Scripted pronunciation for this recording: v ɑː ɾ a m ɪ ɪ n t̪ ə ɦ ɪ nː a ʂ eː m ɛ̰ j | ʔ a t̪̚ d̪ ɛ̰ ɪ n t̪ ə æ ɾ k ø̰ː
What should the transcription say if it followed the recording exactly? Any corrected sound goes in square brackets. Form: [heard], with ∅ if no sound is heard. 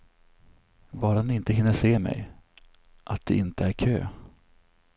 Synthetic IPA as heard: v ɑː ɾ a [n] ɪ ɪ n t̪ ə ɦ ɪ nː [ə] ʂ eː m ɛ̰ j | ʔ a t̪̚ d̪ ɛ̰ ɪ n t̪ ə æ ɾ [kʰ] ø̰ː